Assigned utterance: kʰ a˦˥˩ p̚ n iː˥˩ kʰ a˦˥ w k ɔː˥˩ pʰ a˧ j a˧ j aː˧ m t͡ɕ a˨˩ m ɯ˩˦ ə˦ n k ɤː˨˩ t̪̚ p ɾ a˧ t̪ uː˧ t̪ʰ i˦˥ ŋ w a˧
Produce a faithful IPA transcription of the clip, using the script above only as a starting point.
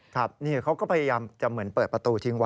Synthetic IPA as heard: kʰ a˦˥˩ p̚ n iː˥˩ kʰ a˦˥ w k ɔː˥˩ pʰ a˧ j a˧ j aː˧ m t͡ɕ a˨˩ m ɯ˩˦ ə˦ n p ɤː˨˩ t̪̚ p ɾ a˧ t̪ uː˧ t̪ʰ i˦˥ ŋ w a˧